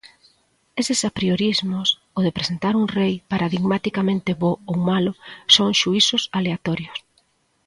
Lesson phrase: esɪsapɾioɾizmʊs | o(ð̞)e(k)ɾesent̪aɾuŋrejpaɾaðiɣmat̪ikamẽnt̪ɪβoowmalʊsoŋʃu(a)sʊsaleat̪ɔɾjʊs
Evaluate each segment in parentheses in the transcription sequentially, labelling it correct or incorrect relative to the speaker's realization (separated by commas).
correct, incorrect, incorrect